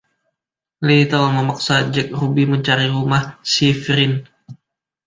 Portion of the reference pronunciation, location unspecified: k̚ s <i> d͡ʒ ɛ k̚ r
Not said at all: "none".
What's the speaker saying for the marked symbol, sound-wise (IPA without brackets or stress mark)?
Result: a